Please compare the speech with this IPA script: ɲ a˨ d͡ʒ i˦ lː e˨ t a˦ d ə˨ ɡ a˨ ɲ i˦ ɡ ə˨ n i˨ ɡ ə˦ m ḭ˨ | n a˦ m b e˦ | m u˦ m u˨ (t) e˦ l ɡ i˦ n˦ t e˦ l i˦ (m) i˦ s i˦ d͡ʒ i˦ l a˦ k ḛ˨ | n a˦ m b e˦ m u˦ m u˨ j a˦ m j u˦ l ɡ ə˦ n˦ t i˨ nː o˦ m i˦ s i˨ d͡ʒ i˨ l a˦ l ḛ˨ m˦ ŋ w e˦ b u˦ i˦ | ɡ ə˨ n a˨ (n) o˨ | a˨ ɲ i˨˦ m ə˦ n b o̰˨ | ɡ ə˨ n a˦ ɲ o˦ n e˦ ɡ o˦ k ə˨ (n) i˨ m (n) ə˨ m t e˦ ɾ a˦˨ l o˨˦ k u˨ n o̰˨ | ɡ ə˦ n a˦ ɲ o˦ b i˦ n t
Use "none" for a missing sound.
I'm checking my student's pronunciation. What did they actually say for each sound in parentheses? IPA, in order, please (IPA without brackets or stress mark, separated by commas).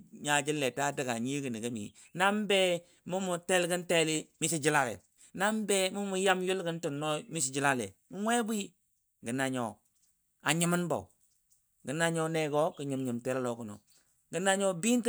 t, m, ɲ, ɲ, ɲ